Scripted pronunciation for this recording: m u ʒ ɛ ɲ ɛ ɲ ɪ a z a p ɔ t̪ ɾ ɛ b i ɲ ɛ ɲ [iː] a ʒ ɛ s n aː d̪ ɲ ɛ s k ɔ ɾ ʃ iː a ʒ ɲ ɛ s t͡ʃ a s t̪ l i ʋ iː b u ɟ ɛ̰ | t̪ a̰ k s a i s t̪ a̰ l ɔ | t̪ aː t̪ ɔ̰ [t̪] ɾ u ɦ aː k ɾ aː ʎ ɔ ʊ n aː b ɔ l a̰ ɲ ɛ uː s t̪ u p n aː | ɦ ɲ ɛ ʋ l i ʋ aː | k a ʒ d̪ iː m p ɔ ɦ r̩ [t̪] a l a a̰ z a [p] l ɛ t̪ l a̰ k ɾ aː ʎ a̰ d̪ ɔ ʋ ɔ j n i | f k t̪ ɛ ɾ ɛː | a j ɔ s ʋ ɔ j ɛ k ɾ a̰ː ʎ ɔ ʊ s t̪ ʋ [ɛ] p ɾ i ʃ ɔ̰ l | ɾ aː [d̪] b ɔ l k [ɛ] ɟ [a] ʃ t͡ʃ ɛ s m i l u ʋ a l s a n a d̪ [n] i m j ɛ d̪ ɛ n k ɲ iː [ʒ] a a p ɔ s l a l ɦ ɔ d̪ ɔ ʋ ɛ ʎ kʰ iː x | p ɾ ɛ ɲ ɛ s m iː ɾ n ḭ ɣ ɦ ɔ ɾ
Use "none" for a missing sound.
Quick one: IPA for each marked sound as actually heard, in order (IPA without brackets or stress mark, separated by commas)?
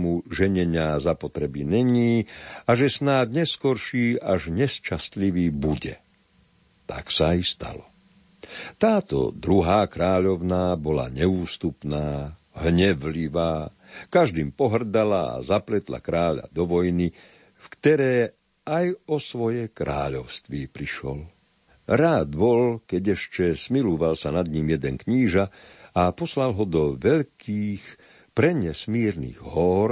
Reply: iː, d̪, d̪, p, i, d̪, ɛ, ɛ, ɲ, ʒ